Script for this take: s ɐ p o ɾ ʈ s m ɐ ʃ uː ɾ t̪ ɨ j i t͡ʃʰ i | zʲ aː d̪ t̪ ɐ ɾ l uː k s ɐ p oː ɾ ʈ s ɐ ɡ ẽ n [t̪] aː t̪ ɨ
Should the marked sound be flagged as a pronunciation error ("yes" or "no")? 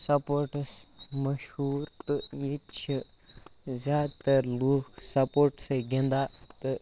yes